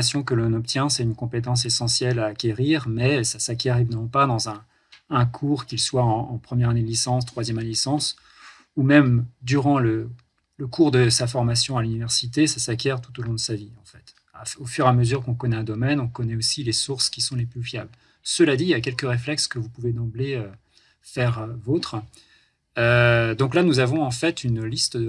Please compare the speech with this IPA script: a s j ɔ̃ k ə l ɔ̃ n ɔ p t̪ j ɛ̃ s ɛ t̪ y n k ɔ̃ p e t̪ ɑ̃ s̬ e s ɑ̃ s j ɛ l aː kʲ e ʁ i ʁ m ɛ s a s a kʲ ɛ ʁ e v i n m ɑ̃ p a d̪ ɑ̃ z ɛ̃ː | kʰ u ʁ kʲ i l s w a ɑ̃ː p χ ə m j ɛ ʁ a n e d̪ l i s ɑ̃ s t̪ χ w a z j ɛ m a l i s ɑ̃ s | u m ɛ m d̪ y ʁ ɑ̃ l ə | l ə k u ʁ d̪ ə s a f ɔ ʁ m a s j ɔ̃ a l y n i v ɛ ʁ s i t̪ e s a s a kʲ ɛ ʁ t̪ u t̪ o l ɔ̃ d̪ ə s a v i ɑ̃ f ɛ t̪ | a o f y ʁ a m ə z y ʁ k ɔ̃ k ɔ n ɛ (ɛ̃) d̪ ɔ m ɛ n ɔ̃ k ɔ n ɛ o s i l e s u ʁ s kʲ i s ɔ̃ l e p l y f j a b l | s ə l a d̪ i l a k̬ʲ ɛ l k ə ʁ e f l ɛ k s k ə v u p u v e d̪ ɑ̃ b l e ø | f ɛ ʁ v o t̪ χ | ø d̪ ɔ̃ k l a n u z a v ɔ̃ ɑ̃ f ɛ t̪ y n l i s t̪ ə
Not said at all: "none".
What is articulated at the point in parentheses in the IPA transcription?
ɛ̃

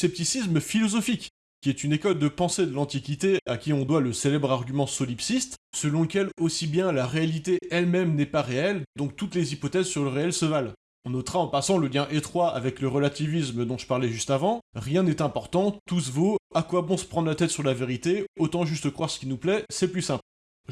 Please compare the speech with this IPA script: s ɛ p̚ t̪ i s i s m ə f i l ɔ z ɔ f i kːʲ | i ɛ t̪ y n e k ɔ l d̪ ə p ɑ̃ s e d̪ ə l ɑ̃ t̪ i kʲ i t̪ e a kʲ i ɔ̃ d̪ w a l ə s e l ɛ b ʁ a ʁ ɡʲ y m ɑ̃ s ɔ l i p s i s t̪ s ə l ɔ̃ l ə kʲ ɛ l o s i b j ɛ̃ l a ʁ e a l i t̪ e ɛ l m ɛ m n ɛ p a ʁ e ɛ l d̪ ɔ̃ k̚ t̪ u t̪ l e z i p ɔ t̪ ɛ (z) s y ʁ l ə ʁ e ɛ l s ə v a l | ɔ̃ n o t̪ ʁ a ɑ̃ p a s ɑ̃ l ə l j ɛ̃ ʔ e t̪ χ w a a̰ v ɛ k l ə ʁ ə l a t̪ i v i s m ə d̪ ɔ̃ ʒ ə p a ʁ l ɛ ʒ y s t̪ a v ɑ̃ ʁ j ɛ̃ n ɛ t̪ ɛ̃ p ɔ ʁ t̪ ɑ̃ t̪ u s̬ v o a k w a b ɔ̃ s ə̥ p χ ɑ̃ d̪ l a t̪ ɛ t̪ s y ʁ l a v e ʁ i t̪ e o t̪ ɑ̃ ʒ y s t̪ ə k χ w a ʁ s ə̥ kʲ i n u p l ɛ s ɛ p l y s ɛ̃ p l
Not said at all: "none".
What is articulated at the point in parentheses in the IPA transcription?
z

